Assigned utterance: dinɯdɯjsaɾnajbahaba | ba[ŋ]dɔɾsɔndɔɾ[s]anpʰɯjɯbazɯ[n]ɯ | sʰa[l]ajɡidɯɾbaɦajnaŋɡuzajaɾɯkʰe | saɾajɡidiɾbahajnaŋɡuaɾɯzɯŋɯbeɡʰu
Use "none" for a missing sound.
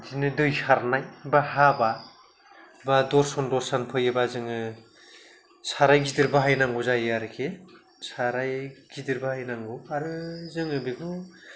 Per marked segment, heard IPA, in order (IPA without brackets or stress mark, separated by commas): none, s, ŋ, ɾ